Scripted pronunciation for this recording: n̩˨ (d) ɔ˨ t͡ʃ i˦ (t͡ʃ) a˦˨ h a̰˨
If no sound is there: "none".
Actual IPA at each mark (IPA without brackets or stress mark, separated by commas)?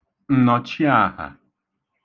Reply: n, none